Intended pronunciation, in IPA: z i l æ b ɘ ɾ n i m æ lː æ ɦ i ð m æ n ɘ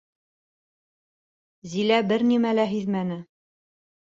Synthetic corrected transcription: z i l æ b ɘ ɾ n i m æ l æ ɦ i ð m æ n ɘ